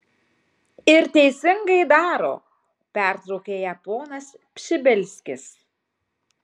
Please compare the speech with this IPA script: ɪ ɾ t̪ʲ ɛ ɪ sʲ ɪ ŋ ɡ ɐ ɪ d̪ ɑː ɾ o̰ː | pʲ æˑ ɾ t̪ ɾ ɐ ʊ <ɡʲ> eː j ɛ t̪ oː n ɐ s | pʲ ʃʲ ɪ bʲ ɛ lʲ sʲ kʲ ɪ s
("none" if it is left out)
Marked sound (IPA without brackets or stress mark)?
kʲ